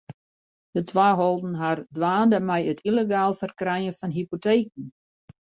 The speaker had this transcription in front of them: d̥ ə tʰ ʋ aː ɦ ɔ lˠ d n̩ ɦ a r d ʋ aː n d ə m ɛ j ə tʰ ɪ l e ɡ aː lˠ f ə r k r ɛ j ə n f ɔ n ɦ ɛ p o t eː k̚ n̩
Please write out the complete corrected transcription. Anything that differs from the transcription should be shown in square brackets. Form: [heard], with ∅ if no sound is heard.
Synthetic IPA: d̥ ə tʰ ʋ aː ɦ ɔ lˠ d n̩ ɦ a r d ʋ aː n d ə m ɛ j ə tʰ [i] l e ɡ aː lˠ f ə r k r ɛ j ə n f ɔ n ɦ [i] p o t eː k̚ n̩

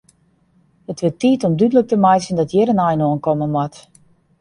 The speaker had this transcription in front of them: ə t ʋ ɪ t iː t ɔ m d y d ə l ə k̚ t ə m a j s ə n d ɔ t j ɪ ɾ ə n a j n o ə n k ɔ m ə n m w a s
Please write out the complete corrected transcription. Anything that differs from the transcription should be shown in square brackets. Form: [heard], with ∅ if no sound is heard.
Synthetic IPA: ə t ʋ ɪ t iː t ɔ m d y d ə l ə k̚ t ə m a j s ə n d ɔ t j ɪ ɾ ə n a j n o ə n k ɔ m ə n m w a [t]

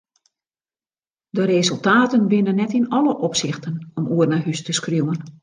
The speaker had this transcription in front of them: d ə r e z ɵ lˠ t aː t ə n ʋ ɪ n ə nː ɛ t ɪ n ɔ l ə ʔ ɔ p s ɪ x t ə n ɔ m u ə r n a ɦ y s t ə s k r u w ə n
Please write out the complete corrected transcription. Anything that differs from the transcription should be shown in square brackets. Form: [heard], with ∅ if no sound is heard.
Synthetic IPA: d ə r e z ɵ lˠ t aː t ə n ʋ ɪ n ə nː ɛ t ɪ n ɔ l ə ʔ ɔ p s ɪ x t ə n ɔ m u ə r n a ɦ y s t ə s k r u w ə n

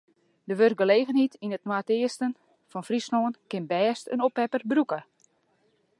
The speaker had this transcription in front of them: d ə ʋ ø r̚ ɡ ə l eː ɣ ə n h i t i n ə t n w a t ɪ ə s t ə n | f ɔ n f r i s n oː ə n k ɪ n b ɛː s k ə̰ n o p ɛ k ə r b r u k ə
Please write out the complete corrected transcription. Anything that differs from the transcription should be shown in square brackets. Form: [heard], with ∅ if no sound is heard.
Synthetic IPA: d ə ʋ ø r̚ ɡ ə l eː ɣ ə n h i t i n ə t n w a t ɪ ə s t ə n | f ɔ n f r i s n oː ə n k ɪ n b ɛː s [t] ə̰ n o p ɛ [p] ə r b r u k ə

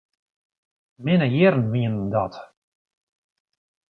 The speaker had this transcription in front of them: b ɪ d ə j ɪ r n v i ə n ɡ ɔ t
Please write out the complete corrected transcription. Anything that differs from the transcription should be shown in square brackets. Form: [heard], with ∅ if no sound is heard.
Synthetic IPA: [m] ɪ [n] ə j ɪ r n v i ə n [d] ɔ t

